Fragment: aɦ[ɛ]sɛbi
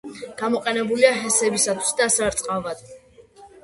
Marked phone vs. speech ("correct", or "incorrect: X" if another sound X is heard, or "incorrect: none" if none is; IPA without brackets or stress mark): correct